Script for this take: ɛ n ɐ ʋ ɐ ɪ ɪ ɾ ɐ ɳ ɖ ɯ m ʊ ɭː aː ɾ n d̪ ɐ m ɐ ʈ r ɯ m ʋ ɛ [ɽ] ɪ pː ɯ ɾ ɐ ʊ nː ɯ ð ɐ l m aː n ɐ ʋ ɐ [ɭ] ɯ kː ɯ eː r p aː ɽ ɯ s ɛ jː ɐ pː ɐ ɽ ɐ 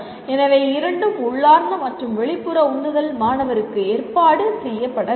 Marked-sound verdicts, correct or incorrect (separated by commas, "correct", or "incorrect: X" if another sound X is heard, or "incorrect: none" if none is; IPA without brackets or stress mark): incorrect: ɭ, incorrect: ɾ